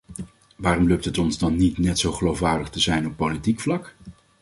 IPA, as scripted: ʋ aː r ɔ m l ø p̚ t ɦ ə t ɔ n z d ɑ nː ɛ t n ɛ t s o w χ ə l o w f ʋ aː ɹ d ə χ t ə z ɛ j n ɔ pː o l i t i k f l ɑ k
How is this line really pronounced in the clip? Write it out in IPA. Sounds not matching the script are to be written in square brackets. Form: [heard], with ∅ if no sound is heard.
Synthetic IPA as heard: ʋ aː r ɔ m l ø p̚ t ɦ ə t ɔ n z d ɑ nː [i] t n ɛ t s o w χ ə l o w f ʋ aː ɹ d ə χ t ə z ɛ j n ɔ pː o l i t i k f l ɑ k